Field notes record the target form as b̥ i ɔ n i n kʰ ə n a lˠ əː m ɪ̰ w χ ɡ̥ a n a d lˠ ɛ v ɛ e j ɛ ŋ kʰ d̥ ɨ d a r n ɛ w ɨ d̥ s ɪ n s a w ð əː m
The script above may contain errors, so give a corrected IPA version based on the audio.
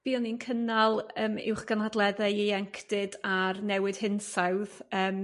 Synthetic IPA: b̥ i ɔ n i n kʰ ə n a lˠ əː m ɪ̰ w χ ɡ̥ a n a d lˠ ɛ ð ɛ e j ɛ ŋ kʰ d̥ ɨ d a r n ɛ w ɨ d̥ h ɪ n s a w ð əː m